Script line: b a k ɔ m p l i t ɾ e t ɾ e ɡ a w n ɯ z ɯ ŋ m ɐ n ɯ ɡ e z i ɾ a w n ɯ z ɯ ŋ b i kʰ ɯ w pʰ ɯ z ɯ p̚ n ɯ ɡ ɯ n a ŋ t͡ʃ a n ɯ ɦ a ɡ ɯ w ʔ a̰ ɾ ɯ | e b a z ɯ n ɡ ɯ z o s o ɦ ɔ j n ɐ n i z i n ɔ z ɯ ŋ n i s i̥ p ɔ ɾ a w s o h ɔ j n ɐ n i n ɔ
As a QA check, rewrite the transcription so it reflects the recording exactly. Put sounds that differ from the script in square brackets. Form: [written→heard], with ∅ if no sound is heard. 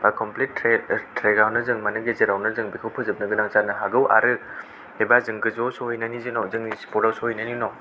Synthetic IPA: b a k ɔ m p l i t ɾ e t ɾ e ɡ a w n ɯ z ɯ ŋ m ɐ n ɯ ɡ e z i ɾ a w n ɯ z ɯ ŋ b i kʰ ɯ w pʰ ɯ z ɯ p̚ n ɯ ɡ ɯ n a ŋ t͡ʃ a n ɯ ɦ a ɡ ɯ w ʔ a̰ ɾ ɯ | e b a z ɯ [n→ŋ] ɡ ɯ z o s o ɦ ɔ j n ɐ n i z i n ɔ z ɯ ŋ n i s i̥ p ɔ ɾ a w s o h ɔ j n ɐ n i n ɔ